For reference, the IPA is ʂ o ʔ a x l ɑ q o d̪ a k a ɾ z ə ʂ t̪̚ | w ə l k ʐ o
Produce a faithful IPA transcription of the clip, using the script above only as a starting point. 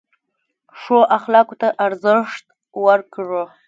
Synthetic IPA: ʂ o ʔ a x l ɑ k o t̪ a ʔ a ɾ z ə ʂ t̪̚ | w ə ɾ k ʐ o